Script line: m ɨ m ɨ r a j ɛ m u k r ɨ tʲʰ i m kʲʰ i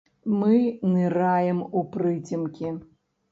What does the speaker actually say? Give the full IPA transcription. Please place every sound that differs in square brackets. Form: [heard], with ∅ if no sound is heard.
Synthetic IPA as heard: m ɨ [n] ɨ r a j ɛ m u [p] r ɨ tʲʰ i m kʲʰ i